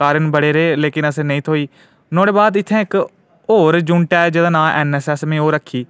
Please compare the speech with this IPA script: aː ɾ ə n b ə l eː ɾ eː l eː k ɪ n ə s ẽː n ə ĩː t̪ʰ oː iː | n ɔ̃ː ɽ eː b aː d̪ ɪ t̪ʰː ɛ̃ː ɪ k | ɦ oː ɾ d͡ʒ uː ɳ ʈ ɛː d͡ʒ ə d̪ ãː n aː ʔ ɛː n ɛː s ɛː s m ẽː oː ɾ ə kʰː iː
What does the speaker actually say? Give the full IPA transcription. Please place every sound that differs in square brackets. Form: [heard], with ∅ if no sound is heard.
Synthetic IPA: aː ɾ ə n b ə [ɽ] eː ɾ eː l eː k ɪ n ə s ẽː n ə ĩː t̪ʰ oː iː | n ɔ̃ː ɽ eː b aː d̪ ɪ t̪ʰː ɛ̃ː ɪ k | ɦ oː ɾ d͡ʒ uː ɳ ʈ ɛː d͡ʒ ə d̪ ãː n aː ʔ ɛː n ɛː s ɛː s m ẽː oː ɾ ə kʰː iː